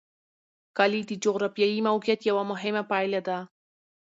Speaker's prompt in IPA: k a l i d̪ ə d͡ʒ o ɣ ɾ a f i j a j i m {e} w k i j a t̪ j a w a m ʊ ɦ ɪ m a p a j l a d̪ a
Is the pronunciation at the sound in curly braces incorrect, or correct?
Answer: incorrect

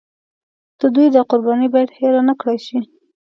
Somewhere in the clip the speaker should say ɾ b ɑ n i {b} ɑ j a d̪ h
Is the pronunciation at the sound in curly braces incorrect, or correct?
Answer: correct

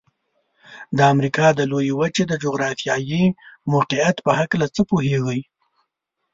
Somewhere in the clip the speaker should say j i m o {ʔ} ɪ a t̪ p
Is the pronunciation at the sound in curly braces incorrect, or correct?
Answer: incorrect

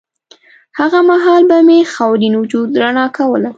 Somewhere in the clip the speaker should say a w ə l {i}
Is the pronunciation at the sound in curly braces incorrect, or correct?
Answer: incorrect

